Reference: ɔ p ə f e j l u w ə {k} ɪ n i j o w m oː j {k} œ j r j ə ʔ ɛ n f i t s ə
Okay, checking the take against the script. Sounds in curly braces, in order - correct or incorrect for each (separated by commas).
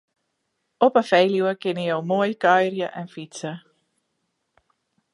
correct, correct